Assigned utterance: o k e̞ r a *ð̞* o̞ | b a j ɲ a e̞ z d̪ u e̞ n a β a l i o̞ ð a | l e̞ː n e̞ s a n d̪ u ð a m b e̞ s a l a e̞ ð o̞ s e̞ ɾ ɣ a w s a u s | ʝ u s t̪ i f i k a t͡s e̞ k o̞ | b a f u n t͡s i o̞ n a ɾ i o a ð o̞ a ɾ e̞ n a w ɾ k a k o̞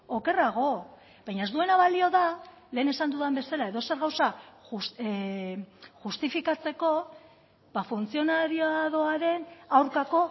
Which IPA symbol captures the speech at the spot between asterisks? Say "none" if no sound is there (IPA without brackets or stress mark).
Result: ɣ̞